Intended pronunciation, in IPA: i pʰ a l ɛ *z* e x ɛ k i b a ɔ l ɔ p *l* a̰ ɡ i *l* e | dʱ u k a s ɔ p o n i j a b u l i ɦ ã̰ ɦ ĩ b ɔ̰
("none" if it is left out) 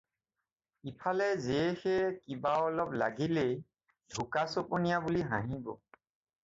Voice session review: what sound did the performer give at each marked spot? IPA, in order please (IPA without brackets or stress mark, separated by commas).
z, l, l